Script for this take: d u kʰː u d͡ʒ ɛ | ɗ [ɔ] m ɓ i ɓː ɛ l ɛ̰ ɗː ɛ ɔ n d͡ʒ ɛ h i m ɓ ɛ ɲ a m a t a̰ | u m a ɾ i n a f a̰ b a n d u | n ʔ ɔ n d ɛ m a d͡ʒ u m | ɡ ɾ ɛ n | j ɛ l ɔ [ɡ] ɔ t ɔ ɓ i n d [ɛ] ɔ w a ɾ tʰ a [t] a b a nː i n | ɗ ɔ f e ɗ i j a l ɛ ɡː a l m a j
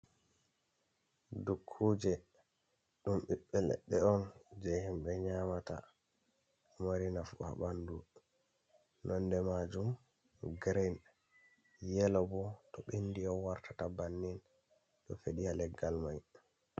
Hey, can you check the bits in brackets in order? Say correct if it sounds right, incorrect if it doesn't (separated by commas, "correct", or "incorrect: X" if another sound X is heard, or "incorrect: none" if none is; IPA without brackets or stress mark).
incorrect: u, incorrect: b, incorrect: i, correct